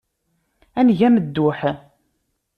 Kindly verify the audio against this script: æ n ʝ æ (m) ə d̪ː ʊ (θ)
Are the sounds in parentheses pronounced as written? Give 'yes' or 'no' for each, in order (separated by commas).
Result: yes, no